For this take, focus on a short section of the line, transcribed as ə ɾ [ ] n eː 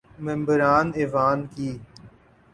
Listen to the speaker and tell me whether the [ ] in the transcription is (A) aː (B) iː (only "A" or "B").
A